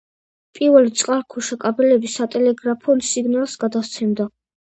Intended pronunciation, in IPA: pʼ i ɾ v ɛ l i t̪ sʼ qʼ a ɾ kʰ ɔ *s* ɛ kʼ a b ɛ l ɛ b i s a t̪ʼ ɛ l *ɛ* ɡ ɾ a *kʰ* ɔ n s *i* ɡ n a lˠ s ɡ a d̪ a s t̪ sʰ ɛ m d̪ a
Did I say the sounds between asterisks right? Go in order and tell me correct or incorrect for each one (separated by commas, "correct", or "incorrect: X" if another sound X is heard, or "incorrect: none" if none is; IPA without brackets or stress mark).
incorrect: ʃ, correct, incorrect: pʰ, correct